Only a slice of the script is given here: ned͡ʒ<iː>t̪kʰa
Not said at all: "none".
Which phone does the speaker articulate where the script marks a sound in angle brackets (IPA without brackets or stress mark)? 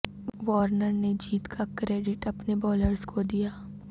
iː